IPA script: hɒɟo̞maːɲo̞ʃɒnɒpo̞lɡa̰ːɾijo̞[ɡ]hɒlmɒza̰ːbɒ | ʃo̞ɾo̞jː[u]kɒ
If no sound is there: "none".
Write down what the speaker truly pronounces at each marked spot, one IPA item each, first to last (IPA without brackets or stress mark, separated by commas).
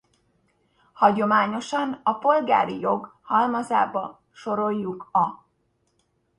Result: ɡ, u